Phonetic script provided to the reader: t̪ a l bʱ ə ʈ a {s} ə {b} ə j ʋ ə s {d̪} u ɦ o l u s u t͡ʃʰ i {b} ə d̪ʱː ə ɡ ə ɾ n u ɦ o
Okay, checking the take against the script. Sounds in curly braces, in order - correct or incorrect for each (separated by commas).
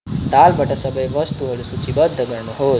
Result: correct, correct, incorrect, correct